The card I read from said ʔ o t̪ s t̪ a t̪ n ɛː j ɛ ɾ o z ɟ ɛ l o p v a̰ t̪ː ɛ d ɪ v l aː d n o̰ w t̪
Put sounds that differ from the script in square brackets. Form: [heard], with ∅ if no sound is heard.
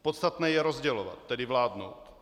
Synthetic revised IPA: [p] o t̪ s t̪ a t̪ n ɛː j ɛ ɾ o z ɟ ɛ l o [∅] v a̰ t̪ː ɛ d ɪ v l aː d n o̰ w t̪